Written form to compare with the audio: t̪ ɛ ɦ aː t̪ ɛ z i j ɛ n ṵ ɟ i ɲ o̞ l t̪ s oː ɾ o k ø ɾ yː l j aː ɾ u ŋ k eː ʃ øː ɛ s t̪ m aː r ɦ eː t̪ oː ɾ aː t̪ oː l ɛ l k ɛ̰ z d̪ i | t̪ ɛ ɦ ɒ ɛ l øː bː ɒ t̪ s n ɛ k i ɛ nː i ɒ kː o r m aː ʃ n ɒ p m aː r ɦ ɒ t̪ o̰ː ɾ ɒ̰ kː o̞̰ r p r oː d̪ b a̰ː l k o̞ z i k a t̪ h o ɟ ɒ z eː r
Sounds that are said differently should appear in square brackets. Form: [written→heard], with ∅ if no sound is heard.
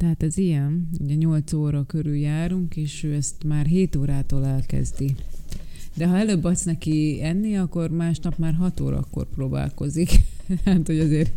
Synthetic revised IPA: t̪ ɛ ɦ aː t̪ ɛ z i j ɛ n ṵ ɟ [i→ɛ] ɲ o̞ l t̪ s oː ɾ [o→ɒ] k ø ɾ [yː→y] l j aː ɾ u ŋ k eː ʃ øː ɛ s t̪ m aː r ɦ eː t̪ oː ɾ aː t̪ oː l ɛ l k ɛ̰ z d̪ i | [t̪→d̪] ɛ ɦ ɒ ɛ l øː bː ɒ t̪ s n ɛ k i ɛ nː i ɒ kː o r m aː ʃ n ɒ p m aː r ɦ ɒ t̪ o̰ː ɾ ɒ̰ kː o̞̰ r p r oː [d̪→∅] b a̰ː l k o̞ z i k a t̪ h o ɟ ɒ z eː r